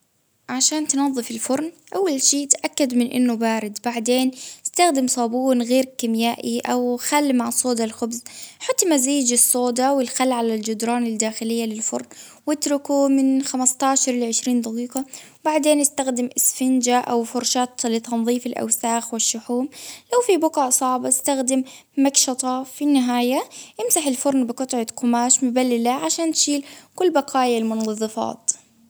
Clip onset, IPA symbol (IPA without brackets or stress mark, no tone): ʕ